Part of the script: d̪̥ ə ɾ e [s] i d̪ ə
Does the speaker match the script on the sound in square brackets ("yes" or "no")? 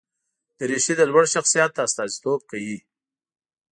no